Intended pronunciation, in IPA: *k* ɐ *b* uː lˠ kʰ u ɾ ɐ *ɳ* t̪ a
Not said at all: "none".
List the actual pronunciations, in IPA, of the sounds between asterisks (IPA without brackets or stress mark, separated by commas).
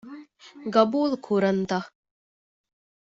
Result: ɡ, b, n